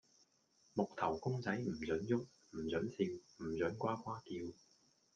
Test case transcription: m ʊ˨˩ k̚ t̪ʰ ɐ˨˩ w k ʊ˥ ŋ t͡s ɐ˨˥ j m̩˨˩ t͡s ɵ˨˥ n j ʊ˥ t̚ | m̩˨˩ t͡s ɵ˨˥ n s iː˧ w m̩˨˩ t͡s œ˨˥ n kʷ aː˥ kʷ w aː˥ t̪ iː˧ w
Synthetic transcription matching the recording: m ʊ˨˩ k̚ t̪ʰ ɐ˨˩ w k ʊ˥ ŋ t͡s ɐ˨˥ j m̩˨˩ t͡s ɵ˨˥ n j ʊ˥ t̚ | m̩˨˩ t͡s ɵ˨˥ n s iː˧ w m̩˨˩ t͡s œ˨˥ n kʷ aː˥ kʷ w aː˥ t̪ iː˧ w